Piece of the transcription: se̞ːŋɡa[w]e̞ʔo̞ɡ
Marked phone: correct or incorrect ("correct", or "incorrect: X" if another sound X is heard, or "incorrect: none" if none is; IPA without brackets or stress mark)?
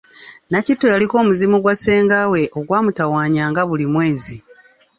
correct